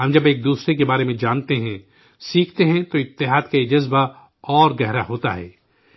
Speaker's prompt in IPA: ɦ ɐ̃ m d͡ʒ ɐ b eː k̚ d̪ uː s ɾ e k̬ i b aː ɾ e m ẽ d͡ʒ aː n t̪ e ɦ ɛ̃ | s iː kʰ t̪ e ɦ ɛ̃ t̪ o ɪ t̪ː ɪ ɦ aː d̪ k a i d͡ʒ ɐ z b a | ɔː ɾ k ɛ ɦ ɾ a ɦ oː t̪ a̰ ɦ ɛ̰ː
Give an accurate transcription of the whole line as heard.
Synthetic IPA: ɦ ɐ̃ m d͡ʒ ɐ b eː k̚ d̪ uː s ɾ e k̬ e b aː ɾ e m ẽ d͡ʒ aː n t̪ e ɦ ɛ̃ | s iː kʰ t̪ e ɦ ɛ̃ t̪ o ɪ t̪ː ɪ ɦ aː d̪ k a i d͡ʒ ɐ z b a | ɔː ɾ ɡ ɛ ɦ ɾ a ɦ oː t̪ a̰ ɦ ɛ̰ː